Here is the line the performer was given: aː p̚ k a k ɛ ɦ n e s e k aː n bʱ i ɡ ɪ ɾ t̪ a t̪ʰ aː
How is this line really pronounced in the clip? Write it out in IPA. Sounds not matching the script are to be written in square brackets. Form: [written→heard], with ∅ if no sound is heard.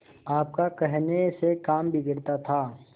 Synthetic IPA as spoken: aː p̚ k a k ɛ ɦ n e s e k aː [n→m] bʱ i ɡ ɪ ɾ t̪ a t̪ʰ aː

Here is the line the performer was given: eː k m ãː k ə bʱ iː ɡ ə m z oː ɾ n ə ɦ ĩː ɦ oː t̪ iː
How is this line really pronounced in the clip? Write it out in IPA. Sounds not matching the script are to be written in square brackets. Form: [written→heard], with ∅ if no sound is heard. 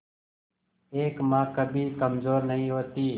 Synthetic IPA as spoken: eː k m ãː k ə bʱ iː [ɡ→k] ə m z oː ɾ n ə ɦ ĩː ɦ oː t̪ iː

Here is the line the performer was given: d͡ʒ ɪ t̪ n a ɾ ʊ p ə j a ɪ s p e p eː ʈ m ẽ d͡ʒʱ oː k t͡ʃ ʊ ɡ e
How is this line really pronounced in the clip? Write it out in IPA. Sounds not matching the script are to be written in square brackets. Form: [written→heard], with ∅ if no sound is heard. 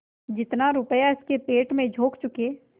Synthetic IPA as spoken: d͡ʒ ɪ t̪ n a ɾ ʊ p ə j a ɪ s [p→k] e p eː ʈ m ẽ d͡ʒʱ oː k t͡ʃ ʊ [ɡ→k] e

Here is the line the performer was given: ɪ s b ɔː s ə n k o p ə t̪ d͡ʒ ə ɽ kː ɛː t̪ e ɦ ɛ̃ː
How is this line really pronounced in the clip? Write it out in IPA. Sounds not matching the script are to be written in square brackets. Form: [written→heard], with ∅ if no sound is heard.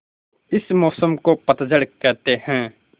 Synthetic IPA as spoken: ɪ s [b→m] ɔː s ə [n→m] k o p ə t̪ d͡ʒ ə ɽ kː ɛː t̪ e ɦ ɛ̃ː

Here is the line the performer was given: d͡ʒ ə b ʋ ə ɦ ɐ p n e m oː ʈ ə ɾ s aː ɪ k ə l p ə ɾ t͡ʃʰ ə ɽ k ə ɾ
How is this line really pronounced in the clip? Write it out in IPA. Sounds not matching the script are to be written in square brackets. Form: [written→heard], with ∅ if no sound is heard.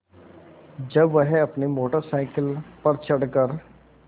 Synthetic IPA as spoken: d͡ʒ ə b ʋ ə ɦ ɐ p n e m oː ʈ ə ɾ s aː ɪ k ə l p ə ɾ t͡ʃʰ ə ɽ k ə ɾ

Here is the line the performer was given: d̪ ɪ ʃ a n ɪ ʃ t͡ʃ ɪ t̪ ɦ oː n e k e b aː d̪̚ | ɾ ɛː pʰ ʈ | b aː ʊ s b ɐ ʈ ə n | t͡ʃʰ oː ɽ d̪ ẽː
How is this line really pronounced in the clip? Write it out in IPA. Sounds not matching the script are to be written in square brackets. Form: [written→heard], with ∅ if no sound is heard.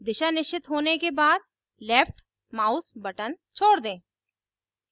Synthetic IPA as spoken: d̪ ɪ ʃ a n ɪ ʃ t͡ʃ ɪ t̪ ɦ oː n e k e b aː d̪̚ | [ɾ→l] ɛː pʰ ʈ | [b→m] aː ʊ s b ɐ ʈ ə n | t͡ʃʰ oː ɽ d̪ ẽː

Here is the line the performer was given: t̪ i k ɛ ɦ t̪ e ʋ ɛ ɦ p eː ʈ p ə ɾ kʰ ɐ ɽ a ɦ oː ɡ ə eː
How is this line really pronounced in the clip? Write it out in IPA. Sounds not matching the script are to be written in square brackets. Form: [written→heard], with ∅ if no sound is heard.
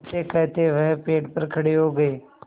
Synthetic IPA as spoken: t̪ [i→e] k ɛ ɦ t̪ e ʋ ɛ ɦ p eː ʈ p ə ɾ kʰ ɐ ɽ [a→e] ɦ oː ɡ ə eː

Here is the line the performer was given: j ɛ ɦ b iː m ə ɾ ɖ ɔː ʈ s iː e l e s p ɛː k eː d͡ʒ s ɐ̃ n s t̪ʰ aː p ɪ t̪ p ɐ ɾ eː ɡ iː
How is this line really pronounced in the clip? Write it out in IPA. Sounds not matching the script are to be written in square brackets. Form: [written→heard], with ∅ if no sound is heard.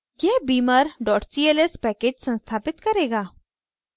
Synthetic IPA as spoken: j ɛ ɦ b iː m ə ɾ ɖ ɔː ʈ s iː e l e s p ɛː k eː d͡ʒ s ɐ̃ n s t̪ʰ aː p ɪ t̪ [p→k] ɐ ɾ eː ɡ [iː→aː]

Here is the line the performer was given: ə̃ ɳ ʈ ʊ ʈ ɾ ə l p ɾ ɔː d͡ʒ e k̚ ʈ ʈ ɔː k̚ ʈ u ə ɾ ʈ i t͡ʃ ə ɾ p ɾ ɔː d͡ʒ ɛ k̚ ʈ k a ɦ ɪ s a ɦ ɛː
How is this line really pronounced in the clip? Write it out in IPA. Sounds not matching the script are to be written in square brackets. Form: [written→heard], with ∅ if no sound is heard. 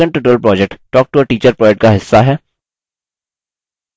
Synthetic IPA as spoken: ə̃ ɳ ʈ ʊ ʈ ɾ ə l p ɾ ɔː d͡ʒ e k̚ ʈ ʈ ɔː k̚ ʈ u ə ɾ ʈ [i→iː] t͡ʃ ə ɾ p ɾ ɔː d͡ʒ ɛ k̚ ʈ k a ɦ ɪ [s→sː] a ɦ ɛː

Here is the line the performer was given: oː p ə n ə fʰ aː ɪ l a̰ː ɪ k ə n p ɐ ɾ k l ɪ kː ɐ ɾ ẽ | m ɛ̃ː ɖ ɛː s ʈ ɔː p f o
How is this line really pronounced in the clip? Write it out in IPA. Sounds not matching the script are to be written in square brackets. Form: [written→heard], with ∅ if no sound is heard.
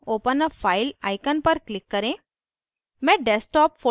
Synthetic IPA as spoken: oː p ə n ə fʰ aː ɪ l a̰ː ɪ k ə n p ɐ ɾ k l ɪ kː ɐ ɾ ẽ | m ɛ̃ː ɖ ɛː s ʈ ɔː p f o

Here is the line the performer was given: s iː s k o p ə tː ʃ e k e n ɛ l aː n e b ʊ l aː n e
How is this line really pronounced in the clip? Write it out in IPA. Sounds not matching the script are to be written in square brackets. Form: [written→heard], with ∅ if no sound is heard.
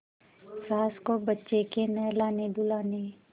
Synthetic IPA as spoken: s [iː→aː] s k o [p→b] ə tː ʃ e k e n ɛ l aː n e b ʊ l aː n e

